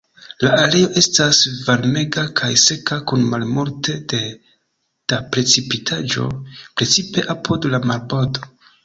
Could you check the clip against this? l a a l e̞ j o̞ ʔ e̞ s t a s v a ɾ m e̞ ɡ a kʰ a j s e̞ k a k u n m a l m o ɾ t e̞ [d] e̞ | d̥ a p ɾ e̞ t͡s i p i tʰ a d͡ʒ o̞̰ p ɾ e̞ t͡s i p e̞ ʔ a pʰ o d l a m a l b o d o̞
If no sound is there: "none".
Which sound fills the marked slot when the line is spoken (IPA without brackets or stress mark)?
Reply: d